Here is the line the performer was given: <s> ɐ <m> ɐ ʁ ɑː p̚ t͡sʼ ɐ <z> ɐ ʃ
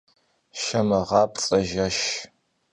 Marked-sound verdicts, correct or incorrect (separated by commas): incorrect, correct, incorrect